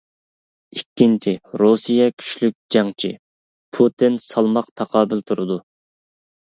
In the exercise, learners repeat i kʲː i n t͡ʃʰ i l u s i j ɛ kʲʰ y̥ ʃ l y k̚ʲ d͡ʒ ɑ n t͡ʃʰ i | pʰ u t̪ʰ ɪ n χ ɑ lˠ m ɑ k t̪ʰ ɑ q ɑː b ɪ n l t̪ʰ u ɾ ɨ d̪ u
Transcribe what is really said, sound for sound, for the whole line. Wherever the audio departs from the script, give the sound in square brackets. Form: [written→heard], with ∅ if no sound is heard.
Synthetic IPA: i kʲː i n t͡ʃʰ i [l→ɾ] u s i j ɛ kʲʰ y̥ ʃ l y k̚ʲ d͡ʒ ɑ [n→ŋ] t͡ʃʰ i | pʰ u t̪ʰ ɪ n [χ→s] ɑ lˠ m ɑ [k→q] t̪ʰ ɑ q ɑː b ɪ [n→∅] l t̪ʰ u ɾ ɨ d̪ u